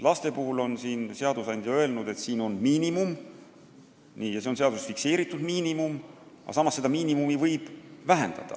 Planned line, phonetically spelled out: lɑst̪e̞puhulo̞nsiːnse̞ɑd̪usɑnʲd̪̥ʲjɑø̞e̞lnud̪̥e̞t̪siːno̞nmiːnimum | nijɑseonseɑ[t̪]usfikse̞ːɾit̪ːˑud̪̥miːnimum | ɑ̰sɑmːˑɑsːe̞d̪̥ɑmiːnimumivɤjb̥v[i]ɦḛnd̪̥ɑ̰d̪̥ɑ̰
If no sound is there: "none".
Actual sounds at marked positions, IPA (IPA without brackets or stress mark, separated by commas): d̪, æ